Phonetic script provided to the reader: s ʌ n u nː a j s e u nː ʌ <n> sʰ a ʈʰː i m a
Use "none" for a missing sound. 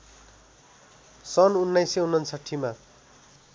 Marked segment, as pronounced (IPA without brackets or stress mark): n